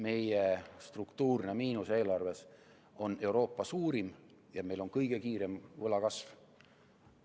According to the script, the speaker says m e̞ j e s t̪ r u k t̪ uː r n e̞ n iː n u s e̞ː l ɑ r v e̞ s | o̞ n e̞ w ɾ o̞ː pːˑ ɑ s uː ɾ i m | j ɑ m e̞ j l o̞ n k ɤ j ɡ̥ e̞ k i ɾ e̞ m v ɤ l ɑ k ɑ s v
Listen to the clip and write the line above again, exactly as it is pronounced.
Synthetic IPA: m e̞ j e s t̪ r u k t̪ uː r n e̞ m iː n u s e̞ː l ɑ r v e̞ s | o̞ n e̞ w ɾ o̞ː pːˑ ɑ s uː ɾ i m | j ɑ m e̞ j l o̞ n k ɤ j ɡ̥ e̞ k iː ɾ e̞ m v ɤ l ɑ k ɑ s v